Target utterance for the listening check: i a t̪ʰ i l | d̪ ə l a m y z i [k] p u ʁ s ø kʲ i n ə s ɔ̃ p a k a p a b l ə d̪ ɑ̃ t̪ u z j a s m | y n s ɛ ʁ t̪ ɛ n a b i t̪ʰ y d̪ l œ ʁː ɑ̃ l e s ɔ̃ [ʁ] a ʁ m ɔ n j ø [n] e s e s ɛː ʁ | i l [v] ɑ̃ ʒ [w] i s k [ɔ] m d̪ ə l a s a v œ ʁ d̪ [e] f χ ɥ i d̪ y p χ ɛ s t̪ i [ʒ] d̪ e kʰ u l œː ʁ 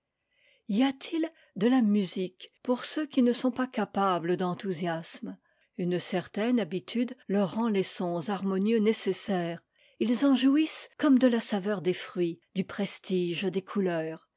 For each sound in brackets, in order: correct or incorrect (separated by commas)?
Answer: correct, incorrect, correct, incorrect, incorrect, correct, correct, correct